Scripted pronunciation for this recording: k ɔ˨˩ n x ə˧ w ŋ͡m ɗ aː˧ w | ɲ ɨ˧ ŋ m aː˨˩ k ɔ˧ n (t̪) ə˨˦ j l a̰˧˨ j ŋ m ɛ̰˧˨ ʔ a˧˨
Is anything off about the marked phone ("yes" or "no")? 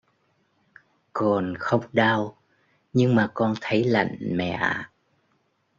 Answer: yes